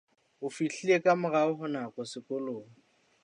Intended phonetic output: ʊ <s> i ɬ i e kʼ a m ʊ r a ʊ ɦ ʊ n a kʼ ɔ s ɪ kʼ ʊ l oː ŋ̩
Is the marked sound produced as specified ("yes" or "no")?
no